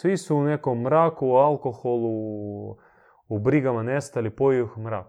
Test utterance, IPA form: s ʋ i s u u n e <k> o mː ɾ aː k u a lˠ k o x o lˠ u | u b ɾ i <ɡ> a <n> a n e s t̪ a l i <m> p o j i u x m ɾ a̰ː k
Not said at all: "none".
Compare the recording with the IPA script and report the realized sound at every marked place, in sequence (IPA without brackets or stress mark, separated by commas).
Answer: k, ɡ, m, none